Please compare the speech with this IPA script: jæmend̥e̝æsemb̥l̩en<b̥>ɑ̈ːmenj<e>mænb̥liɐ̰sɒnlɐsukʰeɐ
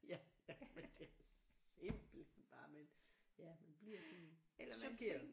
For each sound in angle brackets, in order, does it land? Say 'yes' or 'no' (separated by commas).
yes, no